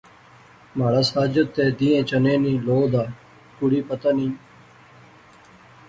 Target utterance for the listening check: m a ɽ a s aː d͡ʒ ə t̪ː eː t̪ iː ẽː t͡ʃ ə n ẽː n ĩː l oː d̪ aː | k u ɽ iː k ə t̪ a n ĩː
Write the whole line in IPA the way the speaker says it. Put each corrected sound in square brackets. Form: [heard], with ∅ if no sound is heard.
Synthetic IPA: m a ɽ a s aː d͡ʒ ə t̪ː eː [d̪] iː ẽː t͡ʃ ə n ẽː n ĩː l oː d̪ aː | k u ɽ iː [p] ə t̪ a n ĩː

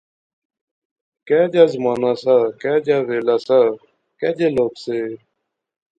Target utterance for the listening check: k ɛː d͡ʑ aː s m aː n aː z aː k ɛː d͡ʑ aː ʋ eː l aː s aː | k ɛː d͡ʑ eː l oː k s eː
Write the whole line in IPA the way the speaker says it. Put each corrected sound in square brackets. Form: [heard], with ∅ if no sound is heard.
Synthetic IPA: k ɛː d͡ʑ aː [z] m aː n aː [s] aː k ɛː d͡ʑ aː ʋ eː l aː s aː | k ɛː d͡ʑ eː l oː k s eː

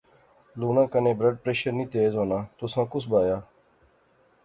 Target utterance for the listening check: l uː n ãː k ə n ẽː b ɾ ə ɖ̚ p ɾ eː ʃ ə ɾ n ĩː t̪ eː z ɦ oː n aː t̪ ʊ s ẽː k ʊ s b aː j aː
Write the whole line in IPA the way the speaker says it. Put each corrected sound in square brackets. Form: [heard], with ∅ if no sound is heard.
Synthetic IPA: l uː n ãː k ə n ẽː b ɾ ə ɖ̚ p ɾ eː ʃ ə ɾ n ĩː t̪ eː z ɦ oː n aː t̪ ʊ s [ãː] k ʊ s b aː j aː

